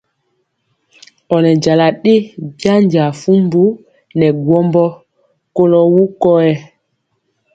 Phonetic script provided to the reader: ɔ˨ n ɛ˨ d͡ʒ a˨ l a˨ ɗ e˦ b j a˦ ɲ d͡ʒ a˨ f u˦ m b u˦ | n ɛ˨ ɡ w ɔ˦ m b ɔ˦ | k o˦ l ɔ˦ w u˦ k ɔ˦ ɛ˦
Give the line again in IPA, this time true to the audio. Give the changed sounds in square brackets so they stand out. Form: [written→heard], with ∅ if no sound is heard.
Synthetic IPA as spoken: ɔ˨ n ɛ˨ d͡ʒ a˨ l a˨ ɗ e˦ b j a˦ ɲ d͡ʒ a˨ f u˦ m b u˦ | n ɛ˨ ɡ w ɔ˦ m b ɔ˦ | k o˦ l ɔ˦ w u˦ k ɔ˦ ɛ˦